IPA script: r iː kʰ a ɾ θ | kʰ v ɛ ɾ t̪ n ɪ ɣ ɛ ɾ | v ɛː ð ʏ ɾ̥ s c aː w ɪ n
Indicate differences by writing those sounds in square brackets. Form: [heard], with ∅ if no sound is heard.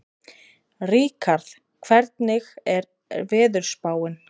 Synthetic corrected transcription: r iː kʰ a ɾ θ | kʰ v ɛ ɾ t̪ n ɪ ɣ ɛ ɾ | v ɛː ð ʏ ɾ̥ s [p] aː w ɪ n